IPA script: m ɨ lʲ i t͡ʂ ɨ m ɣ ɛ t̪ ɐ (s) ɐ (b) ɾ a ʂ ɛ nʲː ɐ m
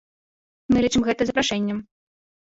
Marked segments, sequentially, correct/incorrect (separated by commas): incorrect, incorrect